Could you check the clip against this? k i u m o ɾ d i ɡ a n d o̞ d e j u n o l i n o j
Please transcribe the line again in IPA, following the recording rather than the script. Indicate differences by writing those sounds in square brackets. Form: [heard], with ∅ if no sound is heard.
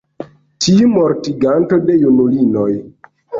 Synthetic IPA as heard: [t] i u m o ɾ [t] i ɡ a n [t] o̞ d e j u n [u] l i n o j